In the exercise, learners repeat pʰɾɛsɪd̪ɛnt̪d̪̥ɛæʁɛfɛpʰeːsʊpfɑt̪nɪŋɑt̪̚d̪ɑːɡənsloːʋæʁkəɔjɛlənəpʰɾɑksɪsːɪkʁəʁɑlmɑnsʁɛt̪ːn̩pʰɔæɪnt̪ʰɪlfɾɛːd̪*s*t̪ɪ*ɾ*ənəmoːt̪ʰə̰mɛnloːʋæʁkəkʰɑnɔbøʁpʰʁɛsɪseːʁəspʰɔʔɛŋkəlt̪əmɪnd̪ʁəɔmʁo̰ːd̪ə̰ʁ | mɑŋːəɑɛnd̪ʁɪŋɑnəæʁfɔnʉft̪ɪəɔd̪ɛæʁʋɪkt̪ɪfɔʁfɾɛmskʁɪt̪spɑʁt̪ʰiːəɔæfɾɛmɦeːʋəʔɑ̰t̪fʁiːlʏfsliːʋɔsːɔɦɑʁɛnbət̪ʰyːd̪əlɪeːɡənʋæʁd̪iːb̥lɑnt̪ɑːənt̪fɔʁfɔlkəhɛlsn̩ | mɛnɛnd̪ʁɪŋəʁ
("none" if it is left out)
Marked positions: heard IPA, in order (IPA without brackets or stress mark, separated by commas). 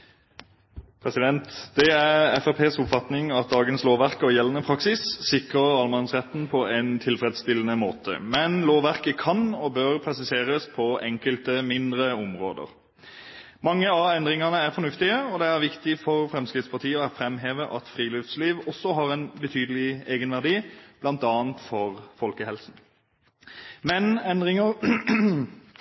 s, l